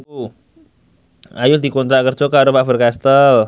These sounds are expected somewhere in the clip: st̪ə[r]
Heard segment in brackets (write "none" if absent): l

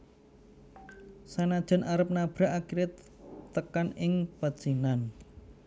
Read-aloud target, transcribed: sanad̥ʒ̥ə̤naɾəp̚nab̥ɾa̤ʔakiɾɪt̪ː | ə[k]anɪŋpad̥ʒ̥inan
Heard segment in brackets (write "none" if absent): k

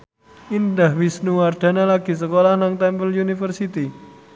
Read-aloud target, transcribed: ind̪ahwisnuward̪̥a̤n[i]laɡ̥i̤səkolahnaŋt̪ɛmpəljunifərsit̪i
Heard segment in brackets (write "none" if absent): a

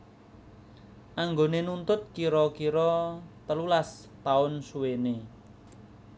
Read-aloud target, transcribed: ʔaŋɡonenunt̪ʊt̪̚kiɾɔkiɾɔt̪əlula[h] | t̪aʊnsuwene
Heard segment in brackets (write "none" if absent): s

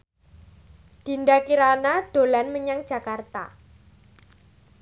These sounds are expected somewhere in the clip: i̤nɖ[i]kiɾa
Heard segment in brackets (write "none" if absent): a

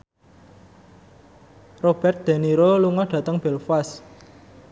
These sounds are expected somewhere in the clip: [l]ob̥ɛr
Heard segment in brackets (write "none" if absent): r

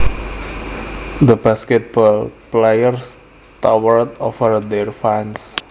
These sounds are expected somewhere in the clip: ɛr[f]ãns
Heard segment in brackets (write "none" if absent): f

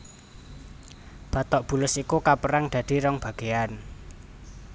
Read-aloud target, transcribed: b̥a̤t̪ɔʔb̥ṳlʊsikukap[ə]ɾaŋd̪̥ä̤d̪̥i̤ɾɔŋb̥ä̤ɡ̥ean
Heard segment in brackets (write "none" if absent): ə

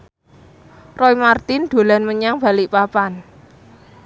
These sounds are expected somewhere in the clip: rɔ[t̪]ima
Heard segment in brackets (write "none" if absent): none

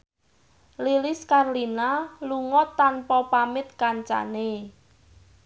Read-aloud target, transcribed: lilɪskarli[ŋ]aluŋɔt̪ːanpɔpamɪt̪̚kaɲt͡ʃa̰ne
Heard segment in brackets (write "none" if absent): n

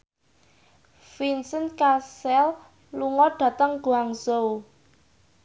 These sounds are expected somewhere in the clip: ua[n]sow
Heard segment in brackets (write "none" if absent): ŋ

